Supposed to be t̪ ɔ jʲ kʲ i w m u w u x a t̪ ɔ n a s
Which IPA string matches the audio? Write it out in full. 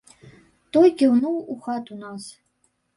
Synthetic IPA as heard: t̪ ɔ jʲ kʲ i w n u w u x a t̪ u n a s